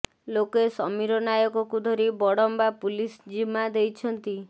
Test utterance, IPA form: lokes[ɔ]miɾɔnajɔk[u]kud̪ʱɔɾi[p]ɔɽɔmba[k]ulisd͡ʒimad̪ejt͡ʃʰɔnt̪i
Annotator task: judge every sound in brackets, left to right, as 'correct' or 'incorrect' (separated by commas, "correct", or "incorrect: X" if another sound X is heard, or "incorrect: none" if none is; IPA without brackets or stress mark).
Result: correct, incorrect: ɔ, incorrect: b, incorrect: p